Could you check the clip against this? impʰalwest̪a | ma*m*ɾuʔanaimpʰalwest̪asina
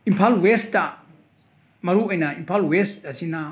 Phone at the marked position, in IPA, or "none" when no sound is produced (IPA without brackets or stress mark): none